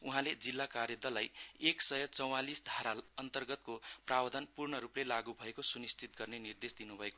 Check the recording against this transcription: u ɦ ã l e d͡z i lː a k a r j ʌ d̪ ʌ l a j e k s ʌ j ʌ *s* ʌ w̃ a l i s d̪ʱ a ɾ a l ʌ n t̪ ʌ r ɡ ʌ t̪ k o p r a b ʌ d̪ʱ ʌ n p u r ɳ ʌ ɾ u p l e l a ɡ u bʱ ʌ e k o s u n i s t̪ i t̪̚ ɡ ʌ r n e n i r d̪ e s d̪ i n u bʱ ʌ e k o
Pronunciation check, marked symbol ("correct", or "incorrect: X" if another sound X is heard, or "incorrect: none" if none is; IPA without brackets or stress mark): incorrect: t͡s